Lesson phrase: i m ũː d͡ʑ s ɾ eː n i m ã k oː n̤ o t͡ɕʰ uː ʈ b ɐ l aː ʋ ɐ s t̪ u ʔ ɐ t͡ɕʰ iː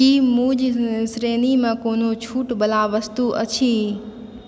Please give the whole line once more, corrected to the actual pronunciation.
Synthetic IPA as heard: i m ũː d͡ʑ s ɾ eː n i m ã k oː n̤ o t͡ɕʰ uː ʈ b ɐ l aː ʋ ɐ s t̪ u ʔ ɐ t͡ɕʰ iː

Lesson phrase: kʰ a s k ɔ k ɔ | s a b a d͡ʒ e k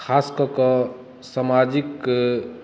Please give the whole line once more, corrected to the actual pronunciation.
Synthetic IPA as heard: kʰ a s k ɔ k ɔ | s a m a d͡ʒ i k

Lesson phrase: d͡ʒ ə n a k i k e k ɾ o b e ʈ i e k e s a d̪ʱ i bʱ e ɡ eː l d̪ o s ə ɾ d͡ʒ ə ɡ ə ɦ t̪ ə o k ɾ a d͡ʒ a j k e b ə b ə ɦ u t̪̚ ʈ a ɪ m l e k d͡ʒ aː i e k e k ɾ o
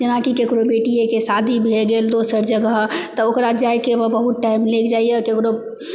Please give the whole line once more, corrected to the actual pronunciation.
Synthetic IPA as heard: d͡ʒ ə n a k i k e k ɾ o b e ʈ i e k e s a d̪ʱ i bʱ e ɡ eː l d̪ o s ə ɾ d͡ʒ ə ɡ ə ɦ t̪ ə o k ɾ a d͡ʒ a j k e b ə b ə ɦ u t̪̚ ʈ a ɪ m l e k d͡ʒ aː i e k e k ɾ o

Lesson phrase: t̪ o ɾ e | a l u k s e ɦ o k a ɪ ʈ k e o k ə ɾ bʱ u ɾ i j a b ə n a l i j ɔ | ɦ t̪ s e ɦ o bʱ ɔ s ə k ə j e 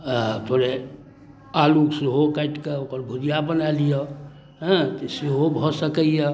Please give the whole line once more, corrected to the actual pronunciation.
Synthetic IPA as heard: t̪ʰ o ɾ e | a l u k s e ɦ o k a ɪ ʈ k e o k ə ɾ bʱ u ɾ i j a b ə n a l i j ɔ | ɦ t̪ s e ɦ o bʱ ɔ s ə k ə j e

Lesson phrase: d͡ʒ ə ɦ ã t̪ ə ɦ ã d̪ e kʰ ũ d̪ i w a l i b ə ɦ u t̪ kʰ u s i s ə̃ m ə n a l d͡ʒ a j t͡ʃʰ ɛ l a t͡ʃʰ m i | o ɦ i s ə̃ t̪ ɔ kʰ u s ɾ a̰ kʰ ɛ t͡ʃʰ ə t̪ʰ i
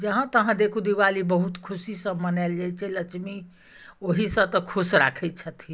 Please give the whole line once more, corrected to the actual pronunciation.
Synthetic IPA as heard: d͡ʒ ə ɦ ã t̪ ə ɦ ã d̪ e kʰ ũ d̪ i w a l i b ə ɦ u t̪ kʰ u s i s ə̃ m ə n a l d͡ʒ a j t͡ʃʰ ɛ l ə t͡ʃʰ m i | o ɦ i s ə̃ t̪ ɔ kʰ u s ɾ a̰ kʰ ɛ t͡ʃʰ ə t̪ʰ i

